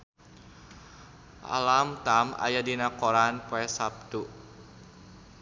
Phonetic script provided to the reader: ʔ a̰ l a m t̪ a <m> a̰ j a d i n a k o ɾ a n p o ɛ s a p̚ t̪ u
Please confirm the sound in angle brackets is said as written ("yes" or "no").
yes